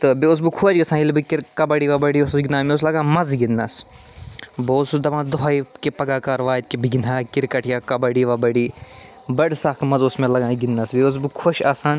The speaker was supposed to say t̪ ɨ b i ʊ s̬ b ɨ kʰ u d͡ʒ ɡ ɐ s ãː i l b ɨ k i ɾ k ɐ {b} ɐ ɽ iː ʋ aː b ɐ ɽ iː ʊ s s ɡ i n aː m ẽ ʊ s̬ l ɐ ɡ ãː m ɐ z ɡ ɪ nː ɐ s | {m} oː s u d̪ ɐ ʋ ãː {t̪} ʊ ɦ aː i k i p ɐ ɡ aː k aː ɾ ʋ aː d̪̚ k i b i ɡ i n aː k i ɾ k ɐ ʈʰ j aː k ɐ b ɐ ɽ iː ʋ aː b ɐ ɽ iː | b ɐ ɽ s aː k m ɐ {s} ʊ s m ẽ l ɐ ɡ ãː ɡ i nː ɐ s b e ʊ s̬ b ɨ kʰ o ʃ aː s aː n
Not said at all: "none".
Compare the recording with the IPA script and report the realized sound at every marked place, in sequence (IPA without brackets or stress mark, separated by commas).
b, b, d̪, z